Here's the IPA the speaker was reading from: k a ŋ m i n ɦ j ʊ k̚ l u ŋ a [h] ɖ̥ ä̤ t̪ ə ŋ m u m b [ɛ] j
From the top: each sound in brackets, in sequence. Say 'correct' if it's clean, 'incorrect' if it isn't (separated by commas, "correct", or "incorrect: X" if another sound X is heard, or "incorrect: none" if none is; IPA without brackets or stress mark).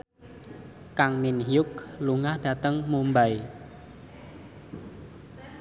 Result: correct, incorrect: a